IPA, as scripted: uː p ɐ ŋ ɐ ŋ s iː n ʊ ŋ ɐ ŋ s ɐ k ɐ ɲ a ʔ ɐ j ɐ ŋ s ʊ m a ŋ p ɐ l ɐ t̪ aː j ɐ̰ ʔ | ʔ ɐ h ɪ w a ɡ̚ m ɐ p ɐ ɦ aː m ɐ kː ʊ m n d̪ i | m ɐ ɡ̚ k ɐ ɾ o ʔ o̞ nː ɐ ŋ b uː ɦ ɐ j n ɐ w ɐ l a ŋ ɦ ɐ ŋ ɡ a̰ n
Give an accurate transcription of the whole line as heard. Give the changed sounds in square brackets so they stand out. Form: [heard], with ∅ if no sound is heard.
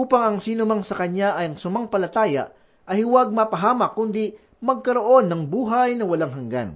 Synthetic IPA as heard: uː p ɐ ŋ ɐ ŋ s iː n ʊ [m] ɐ ŋ s ɐ k ɐ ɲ a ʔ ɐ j ɐ ŋ s ʊ m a ŋ p ɐ l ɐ t̪ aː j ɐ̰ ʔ | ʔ ɐ h ɪ w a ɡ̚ m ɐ p ɐ ɦ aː m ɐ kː ʊ [∅] n d̪ i | m ɐ ɡ̚ k ɐ ɾ o ʔ o̞ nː ɐ ŋ b uː ɦ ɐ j n ɐ w ɐ l a ŋ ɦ ɐ ŋ ɡ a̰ n